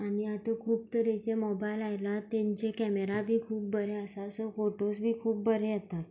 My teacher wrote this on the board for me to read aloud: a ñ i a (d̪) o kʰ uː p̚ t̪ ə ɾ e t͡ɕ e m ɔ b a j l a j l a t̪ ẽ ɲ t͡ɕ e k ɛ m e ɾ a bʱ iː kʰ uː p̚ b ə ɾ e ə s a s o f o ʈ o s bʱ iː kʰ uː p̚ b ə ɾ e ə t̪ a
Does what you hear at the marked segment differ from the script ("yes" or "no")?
yes